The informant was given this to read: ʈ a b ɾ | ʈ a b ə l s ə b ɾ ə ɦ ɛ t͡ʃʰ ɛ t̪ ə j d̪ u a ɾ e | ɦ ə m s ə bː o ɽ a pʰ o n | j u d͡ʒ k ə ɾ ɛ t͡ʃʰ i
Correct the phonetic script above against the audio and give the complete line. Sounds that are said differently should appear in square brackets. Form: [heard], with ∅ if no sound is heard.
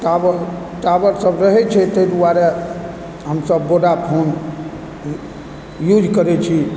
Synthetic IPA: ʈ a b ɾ | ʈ a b ə [ɾ] s ə b ɾ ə ɦ ɛ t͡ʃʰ ɛ t̪ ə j d̪ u a ɾ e | ɦ ə m s ə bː o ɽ a pʰ o n | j u d͡ʒ k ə ɾ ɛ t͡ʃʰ i